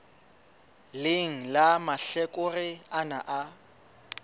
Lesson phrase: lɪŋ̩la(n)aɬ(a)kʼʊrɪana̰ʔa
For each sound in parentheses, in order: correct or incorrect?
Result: incorrect, incorrect

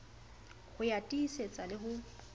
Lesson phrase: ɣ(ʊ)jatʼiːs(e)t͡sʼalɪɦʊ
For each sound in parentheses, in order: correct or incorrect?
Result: correct, correct

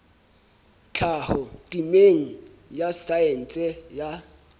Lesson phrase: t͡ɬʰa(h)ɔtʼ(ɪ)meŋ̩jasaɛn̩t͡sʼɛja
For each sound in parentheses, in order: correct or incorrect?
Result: correct, incorrect

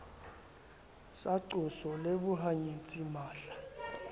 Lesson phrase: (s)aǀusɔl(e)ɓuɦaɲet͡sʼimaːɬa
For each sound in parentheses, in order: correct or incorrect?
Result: correct, correct

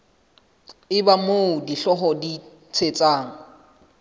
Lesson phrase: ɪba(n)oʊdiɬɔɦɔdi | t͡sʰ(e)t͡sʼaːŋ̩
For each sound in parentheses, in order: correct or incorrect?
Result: incorrect, correct

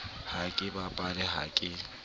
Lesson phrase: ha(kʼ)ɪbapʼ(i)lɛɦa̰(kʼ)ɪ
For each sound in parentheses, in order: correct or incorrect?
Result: correct, incorrect, correct

